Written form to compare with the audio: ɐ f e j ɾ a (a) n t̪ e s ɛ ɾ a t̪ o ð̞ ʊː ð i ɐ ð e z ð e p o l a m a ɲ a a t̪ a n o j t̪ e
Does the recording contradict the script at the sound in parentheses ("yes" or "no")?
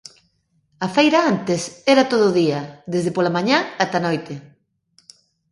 no